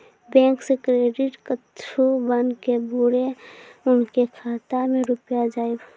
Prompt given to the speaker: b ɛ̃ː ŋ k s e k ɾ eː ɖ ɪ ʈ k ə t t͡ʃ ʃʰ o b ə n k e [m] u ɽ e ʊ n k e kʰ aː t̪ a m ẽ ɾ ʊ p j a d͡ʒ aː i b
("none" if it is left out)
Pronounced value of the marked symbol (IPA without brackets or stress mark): b